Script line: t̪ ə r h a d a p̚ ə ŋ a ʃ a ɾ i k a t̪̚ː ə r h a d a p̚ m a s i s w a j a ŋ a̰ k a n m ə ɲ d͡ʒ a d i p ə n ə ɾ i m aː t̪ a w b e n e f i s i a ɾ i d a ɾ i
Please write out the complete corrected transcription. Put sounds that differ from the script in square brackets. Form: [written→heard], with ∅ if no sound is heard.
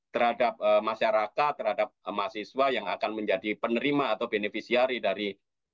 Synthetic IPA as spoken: t̪ ə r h a d a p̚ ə [ŋ→m] a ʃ a ɾ [i→a] k a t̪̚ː ə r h a d a p̚ m a s i s w a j a ŋ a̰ k a n m ə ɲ d͡ʒ a d i p ə n ə ɾ i m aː t̪ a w b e n e f i s i a ɾ i d a ɾ i